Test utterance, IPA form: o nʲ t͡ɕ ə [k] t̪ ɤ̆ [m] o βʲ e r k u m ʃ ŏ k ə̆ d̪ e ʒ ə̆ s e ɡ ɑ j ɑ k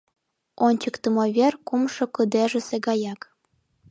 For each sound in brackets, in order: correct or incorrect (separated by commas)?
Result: correct, correct